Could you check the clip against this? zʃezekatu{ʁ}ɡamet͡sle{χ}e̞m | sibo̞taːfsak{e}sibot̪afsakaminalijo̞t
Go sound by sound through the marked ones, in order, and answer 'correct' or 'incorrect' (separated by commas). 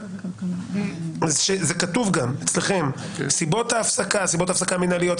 incorrect, correct, incorrect